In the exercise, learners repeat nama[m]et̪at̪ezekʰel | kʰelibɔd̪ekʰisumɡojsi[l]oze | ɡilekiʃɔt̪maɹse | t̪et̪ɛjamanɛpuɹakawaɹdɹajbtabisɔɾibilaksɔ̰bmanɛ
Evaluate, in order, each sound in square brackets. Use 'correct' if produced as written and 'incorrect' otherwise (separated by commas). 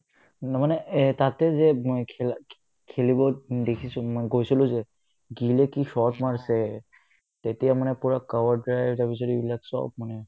incorrect, correct